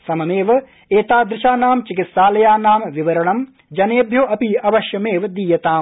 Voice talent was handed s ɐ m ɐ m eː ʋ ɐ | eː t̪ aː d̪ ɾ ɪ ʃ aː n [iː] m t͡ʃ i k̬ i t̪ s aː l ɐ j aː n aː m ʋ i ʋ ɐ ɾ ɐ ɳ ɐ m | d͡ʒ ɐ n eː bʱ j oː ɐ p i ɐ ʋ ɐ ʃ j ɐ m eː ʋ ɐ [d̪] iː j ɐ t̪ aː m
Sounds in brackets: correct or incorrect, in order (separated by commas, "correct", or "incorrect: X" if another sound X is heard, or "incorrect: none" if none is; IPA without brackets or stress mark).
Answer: incorrect: aː, correct